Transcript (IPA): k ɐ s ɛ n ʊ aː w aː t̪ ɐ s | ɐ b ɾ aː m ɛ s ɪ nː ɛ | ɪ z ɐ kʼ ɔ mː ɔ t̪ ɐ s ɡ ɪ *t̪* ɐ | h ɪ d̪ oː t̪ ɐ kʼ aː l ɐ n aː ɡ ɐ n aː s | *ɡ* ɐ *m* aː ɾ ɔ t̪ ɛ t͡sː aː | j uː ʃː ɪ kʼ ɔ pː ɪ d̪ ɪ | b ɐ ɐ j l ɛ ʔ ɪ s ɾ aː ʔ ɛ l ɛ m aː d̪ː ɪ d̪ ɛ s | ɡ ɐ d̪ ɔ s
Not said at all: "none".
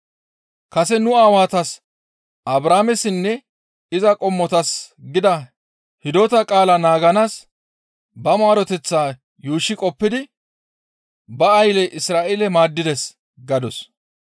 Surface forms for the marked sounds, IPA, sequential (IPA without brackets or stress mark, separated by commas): d̪, b, m